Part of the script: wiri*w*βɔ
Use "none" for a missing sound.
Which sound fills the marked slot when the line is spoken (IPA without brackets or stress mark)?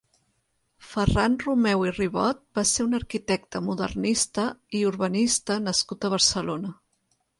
none